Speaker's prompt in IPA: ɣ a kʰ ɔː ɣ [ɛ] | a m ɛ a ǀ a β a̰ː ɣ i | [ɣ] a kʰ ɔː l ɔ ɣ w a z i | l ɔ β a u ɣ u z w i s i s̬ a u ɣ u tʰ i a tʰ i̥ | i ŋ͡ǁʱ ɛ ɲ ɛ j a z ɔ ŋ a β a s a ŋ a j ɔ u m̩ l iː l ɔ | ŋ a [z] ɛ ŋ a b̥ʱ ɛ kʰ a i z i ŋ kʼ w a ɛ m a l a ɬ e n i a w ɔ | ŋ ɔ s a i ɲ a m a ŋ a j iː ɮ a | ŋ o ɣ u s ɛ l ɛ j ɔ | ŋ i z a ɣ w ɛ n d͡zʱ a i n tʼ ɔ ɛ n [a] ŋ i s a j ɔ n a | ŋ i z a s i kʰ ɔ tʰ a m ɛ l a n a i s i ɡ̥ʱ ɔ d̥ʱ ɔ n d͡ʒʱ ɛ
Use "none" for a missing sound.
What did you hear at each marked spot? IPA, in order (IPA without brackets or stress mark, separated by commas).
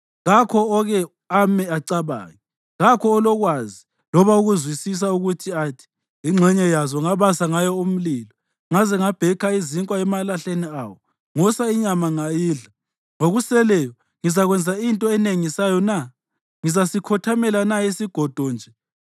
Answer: ɛ, ɣ, z, e